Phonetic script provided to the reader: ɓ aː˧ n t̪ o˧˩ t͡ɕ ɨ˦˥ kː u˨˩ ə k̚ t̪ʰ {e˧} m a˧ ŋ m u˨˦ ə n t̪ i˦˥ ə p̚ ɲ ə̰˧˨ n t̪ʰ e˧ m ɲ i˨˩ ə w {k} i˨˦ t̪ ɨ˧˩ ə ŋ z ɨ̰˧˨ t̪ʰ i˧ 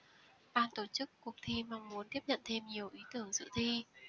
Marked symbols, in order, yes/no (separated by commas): no, no